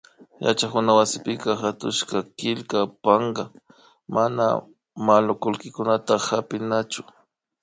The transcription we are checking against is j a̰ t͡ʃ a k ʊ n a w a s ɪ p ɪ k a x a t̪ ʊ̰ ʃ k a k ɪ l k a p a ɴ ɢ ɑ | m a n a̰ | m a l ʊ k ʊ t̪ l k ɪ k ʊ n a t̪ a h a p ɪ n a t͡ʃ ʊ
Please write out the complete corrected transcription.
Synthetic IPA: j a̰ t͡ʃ a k ʊ n a w a s ɪ p ɪ k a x a t̪ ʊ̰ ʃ k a k ɪ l k a p a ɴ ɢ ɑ | m a n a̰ | m a l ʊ k ʊ l k ɪ k ʊ n a t̪ a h a p ɪ n a t͡ʃ ʊ